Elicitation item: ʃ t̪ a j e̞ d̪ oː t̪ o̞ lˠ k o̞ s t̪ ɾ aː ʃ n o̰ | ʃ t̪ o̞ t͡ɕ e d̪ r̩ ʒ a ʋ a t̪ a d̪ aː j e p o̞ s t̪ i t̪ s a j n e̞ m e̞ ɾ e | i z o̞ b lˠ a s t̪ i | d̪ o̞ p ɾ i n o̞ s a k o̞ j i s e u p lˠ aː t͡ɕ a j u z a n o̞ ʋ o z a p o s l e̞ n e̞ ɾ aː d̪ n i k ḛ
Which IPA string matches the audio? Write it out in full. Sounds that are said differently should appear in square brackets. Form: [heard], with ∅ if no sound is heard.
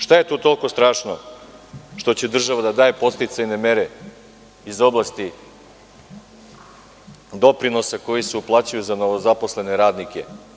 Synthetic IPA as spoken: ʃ t̪ a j e̞ [t̪] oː t̪ o̞ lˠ k o̞ s t̪ ɾ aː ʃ n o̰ | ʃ t̪ o̞ t͡ɕ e d̪ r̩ ʒ a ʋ a [d̪] a d̪ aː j e p o̞ s t̪ i t̪ s a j n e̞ m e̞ ɾ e | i z o̞ b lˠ a s t̪ i | d̪ o̞ p ɾ i n o̞ s a k o̞ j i s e u p lˠ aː t͡ɕ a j u z a n o̞ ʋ o z a p o s l e̞ n e̞ ɾ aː d̪ n i k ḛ

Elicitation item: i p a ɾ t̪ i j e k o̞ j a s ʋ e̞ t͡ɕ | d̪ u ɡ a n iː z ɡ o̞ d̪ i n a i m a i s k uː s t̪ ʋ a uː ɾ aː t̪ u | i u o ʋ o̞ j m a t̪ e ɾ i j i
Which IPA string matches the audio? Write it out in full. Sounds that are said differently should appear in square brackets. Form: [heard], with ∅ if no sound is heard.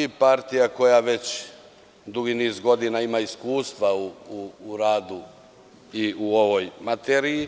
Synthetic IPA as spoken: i p a ɾ t̪ i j [a] k o̞ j a [∅] ʋ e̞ t͡ɕ | d̪ u ɡ [i] n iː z ɡ o̞ d̪ i n a i m a i s k uː s t̪ ʋ a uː ɾ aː [d̪] u | i u o ʋ o̞ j m a t̪ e ɾ i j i

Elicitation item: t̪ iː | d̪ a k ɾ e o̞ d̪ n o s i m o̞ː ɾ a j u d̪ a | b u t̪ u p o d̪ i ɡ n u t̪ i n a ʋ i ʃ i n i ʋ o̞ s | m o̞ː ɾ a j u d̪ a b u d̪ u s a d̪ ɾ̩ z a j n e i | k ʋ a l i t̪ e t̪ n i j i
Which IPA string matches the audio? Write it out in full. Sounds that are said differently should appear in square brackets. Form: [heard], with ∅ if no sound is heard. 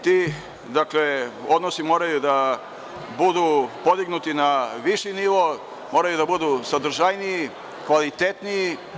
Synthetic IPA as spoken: t̪ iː | d̪ a k [l] e o̞ d̪ n o s i m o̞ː ɾ a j u d̪ a | b u [d̪] u p o d̪ i ɡ n u t̪ i n a ʋ i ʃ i n i ʋ o̞ [∅] | m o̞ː ɾ a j u d̪ a b u d̪ u s a d̪ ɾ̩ [ʒ] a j n [i] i | k ʋ a l i t̪ e t̪ n i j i

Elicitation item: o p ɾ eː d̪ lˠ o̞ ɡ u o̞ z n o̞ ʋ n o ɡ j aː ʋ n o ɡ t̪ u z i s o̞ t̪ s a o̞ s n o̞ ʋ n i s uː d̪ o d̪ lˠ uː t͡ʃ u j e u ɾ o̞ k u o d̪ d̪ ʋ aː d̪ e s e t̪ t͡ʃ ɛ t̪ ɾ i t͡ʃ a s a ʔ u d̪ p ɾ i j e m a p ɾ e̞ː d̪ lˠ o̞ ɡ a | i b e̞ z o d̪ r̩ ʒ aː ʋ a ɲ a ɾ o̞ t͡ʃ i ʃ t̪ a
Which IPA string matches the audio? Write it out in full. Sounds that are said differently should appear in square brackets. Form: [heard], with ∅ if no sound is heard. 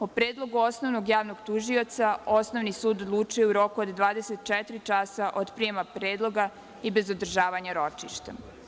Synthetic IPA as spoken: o p ɾ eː d̪ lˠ o̞ ɡ u o̞ [s] n o̞ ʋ n o ɡ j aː ʋ n o ɡ t̪ u [ʒ] i [∅] o̞ t̪ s a o̞ s n o̞ ʋ n i s uː d̪ o d̪ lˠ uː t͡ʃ u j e u ɾ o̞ k u o d̪ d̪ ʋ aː d̪ e s e t̪ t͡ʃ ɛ t̪ ɾ i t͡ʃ a s a ʔ [o] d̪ p ɾ i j e m a p ɾ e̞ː d̪ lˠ o̞ ɡ a | i b e̞ z o d̪ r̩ ʒ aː ʋ a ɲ a ɾ o̞ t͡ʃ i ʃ t̪ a

